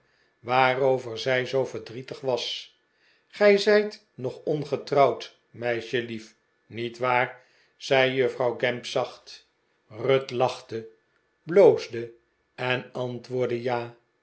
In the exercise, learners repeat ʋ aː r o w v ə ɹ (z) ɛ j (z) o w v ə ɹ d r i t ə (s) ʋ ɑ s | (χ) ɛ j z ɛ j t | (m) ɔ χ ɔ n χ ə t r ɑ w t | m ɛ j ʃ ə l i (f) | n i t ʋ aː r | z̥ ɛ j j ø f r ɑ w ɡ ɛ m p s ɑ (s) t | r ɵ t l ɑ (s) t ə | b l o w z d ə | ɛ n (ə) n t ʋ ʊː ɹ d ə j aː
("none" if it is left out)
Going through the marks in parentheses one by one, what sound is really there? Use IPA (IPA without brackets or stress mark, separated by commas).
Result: z, z, χ, χ, n, f, χ, χ, ɑ